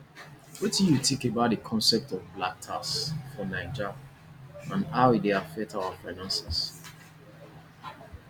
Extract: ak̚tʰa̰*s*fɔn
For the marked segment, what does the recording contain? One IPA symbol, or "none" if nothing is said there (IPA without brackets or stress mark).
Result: s